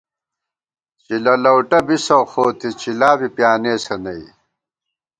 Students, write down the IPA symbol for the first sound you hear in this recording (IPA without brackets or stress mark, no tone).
t͡ɕ